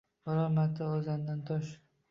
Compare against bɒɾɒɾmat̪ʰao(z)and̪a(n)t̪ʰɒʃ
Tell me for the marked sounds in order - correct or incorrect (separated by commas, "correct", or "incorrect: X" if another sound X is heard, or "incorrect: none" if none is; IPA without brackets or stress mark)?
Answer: correct, correct